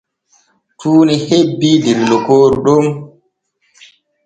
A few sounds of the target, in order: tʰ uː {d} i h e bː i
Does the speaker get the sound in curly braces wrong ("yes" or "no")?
yes